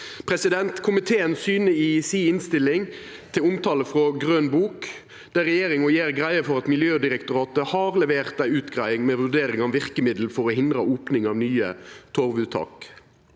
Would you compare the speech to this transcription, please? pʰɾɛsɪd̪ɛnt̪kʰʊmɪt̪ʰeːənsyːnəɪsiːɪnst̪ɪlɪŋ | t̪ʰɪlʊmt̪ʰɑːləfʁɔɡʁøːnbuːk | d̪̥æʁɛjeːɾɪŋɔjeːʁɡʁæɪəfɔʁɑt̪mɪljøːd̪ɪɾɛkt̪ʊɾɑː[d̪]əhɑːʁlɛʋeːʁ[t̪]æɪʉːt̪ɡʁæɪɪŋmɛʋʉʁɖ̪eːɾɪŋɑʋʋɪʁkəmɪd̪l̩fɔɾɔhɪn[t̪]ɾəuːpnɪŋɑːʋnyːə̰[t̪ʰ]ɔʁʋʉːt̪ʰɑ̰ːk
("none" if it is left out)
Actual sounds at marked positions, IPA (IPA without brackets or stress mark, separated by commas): t̪, t̪, d̪, t̪ʰ